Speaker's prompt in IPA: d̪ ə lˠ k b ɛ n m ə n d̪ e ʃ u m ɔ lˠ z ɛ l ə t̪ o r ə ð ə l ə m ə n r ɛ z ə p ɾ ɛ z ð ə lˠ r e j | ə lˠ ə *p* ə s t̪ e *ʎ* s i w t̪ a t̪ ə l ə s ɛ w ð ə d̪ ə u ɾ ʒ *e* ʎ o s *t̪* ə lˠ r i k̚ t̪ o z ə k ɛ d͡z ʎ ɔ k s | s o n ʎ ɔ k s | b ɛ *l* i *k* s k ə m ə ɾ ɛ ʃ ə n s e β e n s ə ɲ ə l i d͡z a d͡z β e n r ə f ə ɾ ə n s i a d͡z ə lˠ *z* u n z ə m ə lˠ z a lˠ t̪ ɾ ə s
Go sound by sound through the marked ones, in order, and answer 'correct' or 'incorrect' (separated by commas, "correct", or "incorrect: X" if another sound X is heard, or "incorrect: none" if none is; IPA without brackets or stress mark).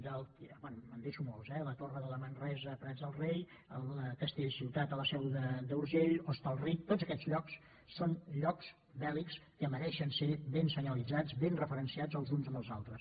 incorrect: k, correct, correct, correct, correct, correct, correct